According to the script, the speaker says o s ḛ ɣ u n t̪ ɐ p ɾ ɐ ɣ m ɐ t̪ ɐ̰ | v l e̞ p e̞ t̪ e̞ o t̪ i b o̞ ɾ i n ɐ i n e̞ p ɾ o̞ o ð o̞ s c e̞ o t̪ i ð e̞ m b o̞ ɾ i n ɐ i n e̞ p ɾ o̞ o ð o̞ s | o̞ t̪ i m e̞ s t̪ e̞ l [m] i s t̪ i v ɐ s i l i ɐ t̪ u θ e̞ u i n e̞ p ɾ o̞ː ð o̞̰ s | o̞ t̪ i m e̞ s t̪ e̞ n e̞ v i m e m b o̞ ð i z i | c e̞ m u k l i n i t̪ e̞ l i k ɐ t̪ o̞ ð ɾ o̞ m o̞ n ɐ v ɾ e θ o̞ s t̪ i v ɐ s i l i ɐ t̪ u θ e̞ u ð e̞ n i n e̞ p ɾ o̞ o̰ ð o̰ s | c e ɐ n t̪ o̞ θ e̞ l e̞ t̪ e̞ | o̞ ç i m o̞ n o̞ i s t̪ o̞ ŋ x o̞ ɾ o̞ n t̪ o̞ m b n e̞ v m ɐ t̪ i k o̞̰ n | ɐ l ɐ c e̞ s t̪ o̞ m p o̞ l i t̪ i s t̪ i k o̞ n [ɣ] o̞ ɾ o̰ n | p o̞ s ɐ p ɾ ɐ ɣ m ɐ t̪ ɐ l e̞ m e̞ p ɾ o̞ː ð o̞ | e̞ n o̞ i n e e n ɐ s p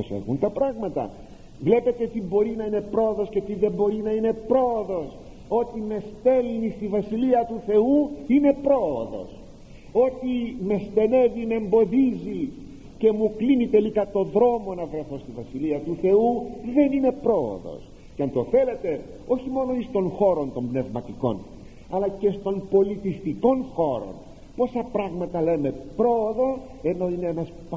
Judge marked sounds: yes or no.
no, no

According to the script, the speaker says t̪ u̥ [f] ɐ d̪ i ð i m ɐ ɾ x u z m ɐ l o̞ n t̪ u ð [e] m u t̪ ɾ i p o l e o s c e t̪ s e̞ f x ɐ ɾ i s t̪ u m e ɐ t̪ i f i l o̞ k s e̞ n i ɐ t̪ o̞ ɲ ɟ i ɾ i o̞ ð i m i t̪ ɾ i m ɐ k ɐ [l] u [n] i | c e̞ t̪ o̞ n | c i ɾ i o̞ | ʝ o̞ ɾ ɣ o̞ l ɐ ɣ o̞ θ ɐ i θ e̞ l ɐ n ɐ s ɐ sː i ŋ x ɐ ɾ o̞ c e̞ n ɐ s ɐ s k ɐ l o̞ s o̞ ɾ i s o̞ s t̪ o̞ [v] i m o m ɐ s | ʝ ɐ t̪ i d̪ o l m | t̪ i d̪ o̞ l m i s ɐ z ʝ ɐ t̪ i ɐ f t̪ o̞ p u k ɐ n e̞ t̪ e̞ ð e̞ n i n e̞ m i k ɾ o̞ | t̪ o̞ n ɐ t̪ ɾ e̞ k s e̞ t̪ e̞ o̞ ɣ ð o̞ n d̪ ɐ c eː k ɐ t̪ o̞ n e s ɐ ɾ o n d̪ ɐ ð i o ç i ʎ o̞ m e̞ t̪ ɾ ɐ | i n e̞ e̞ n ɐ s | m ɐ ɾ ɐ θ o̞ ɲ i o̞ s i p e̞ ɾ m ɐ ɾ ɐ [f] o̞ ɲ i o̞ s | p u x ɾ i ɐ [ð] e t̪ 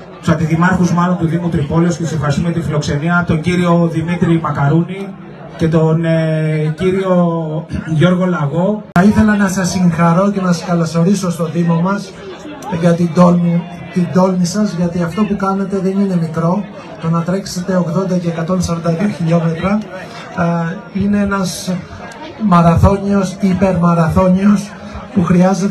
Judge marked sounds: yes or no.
no, no, no, yes, no, no, no

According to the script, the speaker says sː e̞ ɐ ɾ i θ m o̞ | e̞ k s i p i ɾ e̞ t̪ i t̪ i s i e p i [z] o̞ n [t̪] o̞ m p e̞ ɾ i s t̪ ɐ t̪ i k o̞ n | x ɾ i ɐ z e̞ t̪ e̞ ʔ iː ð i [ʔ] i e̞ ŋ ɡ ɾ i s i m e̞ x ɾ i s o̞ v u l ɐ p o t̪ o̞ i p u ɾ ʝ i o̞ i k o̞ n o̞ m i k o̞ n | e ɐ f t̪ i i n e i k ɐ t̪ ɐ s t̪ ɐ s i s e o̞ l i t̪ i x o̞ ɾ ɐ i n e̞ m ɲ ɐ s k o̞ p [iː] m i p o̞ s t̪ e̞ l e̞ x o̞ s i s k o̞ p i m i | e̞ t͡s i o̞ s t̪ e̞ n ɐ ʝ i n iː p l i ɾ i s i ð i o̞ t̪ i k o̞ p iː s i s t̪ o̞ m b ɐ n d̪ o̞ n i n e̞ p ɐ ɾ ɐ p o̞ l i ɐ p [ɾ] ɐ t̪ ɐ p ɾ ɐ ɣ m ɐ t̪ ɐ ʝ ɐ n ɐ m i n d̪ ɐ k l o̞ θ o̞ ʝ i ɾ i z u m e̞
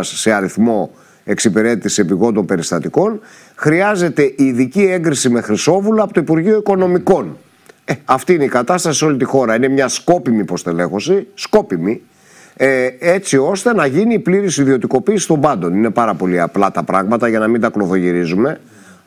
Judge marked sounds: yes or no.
no, no, no, no, no

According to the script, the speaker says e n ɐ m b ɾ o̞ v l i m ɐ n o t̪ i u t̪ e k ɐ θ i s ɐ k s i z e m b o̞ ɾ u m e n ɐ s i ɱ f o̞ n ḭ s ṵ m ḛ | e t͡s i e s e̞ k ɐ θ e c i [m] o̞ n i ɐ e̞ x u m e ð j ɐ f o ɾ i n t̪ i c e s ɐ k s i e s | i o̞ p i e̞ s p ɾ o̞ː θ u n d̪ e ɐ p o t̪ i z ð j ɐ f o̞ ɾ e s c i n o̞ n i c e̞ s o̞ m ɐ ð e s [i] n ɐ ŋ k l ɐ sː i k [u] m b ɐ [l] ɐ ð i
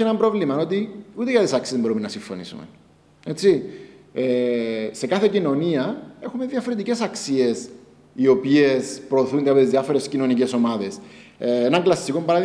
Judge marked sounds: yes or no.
no, no, no, no

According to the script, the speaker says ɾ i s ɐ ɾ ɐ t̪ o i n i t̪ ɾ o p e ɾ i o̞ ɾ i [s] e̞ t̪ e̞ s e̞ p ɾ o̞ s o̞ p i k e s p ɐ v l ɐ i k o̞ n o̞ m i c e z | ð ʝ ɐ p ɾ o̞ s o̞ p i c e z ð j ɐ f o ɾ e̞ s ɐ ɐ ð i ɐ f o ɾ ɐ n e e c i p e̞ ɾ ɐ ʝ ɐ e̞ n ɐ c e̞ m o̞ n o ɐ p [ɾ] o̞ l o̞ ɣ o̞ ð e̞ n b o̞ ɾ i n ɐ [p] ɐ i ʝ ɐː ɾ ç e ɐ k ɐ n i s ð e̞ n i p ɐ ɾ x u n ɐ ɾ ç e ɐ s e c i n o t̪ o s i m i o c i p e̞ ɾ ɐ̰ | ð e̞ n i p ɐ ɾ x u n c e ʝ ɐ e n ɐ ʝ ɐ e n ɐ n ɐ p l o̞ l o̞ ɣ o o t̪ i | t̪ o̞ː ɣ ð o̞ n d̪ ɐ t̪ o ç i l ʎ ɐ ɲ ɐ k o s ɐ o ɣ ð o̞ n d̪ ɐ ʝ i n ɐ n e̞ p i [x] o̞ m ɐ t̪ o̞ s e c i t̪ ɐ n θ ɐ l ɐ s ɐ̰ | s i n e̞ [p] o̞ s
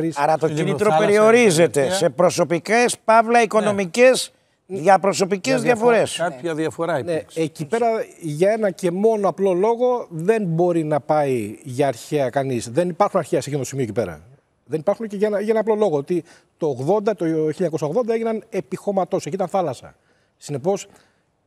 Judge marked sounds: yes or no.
no, no, yes, yes, yes

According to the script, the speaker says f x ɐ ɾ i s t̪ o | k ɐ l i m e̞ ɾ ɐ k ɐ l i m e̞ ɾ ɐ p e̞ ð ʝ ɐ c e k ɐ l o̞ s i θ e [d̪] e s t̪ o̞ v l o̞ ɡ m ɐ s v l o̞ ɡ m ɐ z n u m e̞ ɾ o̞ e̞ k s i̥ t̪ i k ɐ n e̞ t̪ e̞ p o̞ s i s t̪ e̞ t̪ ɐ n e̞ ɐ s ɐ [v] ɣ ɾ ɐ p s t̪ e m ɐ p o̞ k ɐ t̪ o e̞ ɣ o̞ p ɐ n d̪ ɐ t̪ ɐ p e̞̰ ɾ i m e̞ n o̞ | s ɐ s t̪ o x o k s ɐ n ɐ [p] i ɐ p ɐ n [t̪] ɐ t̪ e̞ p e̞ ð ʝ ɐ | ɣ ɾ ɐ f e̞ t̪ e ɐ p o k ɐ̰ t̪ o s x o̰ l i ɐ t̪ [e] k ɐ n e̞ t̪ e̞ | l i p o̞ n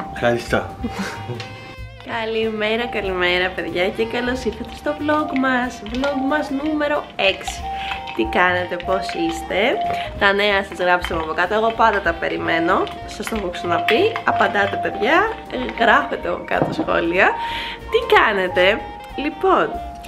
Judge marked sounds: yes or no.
no, no, yes, no, no

